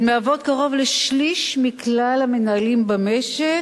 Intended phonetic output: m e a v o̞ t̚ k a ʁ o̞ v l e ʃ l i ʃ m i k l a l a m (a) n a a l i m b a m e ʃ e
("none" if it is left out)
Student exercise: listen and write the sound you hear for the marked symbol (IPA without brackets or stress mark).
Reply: e